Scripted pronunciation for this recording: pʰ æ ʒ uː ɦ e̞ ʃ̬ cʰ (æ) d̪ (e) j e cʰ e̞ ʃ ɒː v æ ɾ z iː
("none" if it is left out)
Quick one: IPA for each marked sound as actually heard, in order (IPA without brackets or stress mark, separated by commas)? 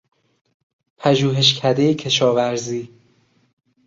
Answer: æ, e